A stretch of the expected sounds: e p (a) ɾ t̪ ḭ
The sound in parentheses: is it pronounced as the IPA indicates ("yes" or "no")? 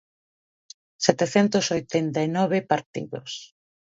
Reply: yes